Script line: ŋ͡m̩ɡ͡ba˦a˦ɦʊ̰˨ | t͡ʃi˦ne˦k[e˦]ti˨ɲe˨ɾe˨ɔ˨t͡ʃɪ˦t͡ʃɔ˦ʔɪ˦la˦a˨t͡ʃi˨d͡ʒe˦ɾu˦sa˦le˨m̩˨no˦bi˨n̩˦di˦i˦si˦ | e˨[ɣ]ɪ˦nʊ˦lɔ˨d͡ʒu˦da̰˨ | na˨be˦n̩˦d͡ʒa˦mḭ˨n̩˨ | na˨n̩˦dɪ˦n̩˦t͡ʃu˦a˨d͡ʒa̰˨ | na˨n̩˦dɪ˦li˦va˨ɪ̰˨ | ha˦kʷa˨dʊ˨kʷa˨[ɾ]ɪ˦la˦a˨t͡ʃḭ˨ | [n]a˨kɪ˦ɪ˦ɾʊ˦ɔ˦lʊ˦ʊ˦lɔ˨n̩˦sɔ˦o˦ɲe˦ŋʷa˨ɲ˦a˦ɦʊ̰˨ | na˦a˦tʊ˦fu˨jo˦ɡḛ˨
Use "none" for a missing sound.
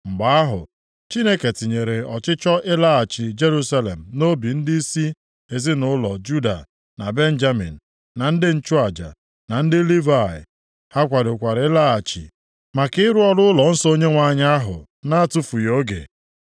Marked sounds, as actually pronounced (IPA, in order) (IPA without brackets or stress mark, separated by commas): e˨, z, ɾ, m